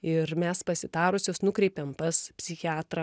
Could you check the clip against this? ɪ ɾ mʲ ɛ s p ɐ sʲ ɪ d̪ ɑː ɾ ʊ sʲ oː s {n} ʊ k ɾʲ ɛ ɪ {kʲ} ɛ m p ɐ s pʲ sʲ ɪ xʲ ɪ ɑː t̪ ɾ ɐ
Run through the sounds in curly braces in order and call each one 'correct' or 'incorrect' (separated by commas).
correct, incorrect